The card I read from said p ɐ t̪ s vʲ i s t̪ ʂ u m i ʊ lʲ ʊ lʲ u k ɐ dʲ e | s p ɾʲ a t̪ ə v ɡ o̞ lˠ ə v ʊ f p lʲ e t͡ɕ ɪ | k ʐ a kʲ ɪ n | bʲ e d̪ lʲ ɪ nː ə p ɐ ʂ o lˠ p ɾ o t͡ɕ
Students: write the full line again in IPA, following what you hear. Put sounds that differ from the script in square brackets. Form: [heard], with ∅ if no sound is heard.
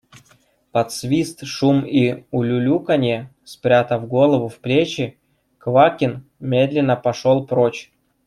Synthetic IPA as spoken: p ɐ t̪ s vʲ i s t̪ ʂ u m i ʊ lʲ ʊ lʲ u k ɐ [nʲ] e | s p ɾʲ a t̪ ə v ɡ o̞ lˠ ə v ʊ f p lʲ e t͡ɕ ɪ | k [v] a kʲ ɪ n | [mʲ] e d̪ lʲ ɪ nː ə p ɐ ʂ o lˠ p ɾ o t͡ɕ